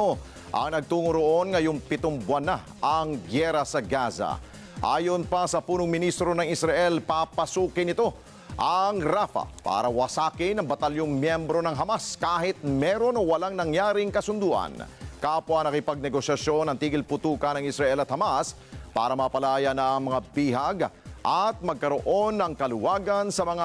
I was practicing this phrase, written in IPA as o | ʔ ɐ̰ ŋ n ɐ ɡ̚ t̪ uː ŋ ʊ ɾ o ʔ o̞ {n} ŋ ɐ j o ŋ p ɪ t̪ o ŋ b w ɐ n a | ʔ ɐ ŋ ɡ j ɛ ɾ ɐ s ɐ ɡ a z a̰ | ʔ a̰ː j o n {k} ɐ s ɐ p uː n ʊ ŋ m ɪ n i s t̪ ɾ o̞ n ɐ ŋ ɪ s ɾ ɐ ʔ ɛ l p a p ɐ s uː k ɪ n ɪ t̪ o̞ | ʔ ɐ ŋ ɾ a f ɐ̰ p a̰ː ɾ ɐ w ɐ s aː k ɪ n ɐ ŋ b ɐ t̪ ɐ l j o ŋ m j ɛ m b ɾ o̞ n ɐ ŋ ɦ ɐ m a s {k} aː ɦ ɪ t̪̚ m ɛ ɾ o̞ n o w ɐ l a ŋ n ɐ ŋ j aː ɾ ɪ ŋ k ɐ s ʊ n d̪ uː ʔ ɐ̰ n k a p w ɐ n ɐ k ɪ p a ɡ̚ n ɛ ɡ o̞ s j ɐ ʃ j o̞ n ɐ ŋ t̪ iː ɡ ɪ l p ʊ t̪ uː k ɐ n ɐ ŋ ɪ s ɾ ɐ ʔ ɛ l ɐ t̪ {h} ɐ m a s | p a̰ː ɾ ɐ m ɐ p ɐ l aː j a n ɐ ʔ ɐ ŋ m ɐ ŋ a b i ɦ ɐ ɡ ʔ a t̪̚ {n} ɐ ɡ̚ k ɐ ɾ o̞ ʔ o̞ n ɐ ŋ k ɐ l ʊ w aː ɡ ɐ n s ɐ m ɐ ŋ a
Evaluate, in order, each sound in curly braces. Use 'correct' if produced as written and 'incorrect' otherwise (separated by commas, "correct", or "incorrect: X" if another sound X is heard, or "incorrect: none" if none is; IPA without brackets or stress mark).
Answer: correct, incorrect: p, correct, correct, incorrect: m